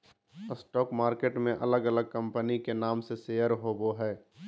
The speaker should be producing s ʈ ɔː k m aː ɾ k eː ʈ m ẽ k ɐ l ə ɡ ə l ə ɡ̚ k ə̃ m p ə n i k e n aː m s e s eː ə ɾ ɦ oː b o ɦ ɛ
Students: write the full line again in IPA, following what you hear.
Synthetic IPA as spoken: s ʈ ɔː k m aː ɾ k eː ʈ m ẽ ʔ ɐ l ə ɡ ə l ə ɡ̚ k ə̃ m p ə n i k e n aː m s e s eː ə ɾ ɦ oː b o ɦ ɛː